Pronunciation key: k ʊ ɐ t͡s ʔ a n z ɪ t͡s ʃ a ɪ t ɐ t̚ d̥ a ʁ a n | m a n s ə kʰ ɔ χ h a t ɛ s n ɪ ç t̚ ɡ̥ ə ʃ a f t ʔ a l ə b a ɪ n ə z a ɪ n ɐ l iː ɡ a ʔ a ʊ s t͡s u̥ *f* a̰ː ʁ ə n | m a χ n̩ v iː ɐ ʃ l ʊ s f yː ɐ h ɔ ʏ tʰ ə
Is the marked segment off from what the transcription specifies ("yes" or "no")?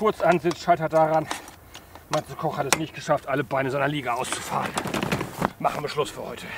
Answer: no